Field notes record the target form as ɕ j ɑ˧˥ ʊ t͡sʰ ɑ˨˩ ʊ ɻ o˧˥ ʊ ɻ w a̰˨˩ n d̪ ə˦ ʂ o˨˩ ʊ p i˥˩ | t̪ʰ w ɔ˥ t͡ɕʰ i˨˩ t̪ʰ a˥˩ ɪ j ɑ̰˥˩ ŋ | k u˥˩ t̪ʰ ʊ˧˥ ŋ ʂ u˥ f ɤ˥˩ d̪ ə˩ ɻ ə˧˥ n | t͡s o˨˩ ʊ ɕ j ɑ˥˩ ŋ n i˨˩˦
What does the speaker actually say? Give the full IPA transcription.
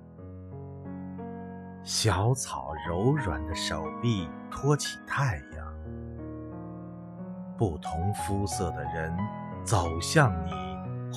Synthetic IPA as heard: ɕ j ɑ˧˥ ʊ t͡sʰ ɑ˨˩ ʊ ɻ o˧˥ ʊ ɻ w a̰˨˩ n d̪ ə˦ ʂ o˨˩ ʊ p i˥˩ | t̪ʰ w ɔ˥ t͡ɕʰ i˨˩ t̪ʰ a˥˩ ɪ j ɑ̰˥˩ ŋ | p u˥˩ t̪ʰ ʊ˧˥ ŋ f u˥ s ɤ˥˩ d̪ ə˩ ɻ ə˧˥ n | t͡s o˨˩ ʊ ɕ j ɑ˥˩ ŋ n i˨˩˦